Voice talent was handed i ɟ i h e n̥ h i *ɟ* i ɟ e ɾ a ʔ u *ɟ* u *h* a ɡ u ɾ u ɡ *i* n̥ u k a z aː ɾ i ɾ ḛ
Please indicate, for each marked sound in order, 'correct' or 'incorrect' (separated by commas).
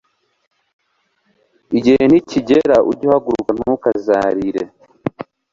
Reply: incorrect, correct, correct, incorrect